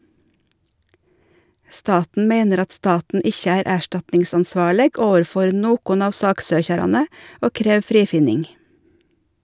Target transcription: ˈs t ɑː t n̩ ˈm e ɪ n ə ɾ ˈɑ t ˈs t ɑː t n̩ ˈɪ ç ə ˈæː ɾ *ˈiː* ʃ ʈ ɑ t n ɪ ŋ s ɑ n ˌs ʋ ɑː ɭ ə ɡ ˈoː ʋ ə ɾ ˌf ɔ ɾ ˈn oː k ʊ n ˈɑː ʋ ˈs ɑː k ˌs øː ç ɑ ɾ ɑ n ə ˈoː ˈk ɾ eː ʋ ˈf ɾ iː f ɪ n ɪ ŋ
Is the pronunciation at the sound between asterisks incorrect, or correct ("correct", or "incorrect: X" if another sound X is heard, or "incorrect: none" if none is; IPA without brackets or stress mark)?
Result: incorrect: æː